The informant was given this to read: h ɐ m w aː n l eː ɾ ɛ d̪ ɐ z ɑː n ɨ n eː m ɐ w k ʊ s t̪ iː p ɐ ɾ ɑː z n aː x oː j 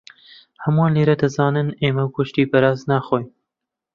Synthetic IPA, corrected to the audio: h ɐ m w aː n l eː ɾ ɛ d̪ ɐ z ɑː n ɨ n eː m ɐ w k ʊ ʃ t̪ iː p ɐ ɾ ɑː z n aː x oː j